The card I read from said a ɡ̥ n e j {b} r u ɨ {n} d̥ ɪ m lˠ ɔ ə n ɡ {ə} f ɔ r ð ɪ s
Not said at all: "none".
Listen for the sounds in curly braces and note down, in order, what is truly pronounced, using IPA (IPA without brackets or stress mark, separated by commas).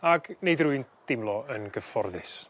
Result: d, n, ə